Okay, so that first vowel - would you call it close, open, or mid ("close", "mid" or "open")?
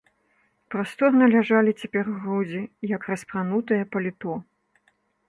open